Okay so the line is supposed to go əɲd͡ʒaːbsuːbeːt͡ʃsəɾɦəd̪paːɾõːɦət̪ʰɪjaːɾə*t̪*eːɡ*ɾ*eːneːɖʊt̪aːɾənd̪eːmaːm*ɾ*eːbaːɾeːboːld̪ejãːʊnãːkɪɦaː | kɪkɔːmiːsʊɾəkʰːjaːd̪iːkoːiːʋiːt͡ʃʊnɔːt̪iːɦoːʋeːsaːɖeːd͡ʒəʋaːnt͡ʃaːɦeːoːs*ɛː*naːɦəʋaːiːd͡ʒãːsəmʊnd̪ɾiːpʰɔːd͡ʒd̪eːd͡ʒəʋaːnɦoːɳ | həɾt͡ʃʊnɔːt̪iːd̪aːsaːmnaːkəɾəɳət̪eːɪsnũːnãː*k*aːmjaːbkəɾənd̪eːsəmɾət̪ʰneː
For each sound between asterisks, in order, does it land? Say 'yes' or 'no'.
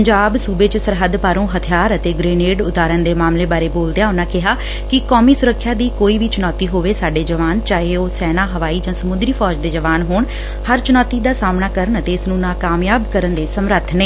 yes, yes, no, yes, yes

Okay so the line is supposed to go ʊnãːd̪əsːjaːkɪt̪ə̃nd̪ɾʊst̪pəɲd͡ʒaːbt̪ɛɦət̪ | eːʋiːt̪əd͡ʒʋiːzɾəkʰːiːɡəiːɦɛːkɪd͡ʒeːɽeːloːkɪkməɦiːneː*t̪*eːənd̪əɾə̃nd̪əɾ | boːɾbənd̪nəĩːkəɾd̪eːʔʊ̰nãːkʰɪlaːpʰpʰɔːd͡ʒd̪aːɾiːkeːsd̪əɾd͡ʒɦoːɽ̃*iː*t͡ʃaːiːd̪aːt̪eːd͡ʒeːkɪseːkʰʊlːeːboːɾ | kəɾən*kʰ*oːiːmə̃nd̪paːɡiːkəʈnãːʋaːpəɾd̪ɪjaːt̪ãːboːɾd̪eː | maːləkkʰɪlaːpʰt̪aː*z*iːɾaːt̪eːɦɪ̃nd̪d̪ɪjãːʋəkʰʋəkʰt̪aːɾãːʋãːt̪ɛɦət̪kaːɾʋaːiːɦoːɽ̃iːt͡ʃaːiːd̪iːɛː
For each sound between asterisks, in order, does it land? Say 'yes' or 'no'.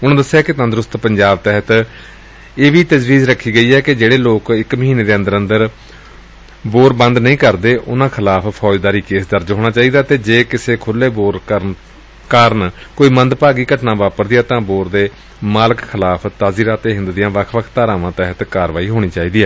no, no, no, yes

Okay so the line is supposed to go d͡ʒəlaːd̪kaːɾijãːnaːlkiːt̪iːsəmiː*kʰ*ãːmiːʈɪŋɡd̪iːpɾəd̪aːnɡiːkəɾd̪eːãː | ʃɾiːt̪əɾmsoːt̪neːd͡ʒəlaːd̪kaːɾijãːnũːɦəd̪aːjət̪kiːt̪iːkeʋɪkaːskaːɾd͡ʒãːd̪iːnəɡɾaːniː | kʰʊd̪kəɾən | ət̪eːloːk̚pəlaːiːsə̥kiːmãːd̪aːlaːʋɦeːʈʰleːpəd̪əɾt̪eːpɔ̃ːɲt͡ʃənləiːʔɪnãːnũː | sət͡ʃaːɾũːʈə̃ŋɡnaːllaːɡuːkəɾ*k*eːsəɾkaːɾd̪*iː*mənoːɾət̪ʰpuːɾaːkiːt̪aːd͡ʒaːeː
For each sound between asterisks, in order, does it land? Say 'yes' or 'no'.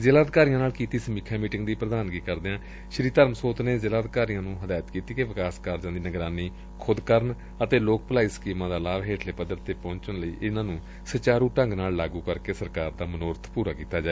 yes, yes, no

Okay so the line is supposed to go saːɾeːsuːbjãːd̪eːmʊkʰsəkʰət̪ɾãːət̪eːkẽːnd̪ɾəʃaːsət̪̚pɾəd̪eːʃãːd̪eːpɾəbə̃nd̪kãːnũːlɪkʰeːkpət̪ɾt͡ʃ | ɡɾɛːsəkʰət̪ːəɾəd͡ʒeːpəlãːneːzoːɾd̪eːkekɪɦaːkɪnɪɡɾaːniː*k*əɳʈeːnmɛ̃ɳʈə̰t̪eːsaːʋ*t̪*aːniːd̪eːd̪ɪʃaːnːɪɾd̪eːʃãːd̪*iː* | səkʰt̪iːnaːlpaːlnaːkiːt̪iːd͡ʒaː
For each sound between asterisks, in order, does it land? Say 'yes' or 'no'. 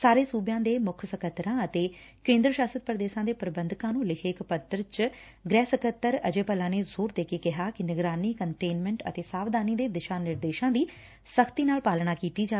yes, no, yes

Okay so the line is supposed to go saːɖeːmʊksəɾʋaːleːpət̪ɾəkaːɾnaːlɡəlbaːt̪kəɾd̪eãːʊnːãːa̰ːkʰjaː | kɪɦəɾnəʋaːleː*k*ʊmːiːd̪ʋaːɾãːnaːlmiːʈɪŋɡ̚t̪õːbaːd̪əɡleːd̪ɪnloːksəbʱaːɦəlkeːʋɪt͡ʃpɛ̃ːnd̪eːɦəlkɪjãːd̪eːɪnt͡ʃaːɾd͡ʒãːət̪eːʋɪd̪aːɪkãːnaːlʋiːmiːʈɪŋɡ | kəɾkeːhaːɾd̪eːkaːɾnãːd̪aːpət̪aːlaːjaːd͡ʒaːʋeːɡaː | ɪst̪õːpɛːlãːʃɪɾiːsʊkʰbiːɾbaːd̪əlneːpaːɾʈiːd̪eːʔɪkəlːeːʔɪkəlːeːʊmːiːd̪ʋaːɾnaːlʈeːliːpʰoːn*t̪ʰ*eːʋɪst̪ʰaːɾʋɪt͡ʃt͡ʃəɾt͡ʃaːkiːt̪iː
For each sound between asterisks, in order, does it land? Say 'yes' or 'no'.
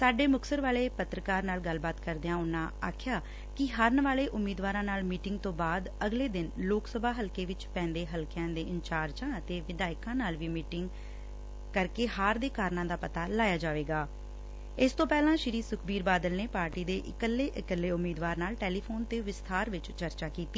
no, no

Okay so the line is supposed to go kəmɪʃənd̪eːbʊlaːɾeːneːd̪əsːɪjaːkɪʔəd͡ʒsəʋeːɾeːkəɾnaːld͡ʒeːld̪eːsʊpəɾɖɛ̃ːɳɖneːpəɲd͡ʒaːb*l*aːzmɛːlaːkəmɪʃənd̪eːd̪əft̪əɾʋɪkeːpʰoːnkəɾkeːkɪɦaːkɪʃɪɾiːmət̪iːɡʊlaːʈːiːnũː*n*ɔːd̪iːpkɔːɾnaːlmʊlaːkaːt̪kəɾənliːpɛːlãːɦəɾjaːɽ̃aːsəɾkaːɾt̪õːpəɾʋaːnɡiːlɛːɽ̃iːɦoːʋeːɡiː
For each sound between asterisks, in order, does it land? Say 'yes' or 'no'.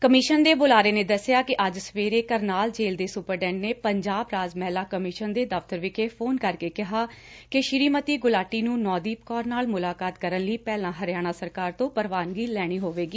no, yes

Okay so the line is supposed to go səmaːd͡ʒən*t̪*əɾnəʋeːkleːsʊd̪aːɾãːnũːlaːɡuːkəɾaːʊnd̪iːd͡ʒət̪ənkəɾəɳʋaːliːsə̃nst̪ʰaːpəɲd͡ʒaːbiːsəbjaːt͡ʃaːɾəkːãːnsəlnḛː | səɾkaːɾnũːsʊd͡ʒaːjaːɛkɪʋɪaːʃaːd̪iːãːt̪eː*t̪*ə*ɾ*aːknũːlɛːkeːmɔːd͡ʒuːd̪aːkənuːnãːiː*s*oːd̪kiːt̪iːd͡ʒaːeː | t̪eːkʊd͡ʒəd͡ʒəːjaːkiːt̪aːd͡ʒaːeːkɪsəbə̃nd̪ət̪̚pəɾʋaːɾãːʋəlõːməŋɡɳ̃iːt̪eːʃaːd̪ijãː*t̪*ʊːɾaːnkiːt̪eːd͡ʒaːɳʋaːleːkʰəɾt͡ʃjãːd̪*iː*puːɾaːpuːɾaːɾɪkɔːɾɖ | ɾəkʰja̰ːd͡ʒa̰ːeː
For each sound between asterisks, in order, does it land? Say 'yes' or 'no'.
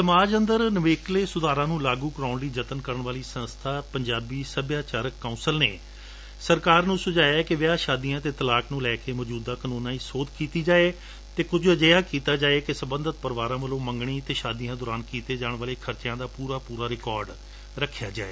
no, yes, no, yes, no, no

